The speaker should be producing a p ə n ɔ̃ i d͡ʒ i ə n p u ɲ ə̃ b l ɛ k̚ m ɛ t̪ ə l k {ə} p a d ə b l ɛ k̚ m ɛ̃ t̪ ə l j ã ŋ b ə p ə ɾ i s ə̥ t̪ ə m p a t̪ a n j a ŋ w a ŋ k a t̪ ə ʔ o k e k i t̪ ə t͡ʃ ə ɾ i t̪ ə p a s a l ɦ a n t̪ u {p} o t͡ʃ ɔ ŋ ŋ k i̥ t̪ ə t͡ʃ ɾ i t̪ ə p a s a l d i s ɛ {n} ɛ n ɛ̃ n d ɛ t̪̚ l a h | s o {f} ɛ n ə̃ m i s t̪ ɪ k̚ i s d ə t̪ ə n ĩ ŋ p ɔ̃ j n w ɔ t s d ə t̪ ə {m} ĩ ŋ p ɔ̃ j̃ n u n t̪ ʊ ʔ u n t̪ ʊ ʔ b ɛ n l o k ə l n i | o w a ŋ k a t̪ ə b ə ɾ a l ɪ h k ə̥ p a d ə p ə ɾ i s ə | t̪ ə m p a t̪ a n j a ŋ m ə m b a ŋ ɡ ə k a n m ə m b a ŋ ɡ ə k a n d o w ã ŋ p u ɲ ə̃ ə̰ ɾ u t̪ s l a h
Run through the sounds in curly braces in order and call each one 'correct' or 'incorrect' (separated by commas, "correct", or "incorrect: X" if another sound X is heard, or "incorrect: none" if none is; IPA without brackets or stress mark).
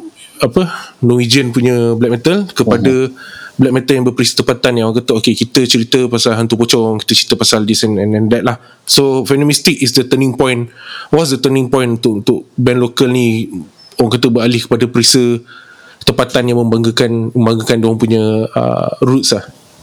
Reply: correct, correct, correct, correct, incorrect: n